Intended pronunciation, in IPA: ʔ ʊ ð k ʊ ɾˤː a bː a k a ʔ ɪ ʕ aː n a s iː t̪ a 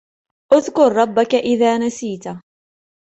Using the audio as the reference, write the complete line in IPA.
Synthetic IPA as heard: ʔ ʊ ð k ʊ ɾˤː ɑ bː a k a ʔ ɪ ð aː n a s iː t̪ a